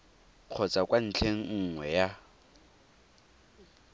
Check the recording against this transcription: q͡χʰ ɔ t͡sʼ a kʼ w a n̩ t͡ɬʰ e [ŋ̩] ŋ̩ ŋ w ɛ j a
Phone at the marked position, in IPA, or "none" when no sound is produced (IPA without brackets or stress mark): ŋ̩